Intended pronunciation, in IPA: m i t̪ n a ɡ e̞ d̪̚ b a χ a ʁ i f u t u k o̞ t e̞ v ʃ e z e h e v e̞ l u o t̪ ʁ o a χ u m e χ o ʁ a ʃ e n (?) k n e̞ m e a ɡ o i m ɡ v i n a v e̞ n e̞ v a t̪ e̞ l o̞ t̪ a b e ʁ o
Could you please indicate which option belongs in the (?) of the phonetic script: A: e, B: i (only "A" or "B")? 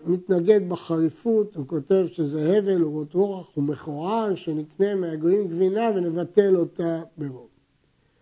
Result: B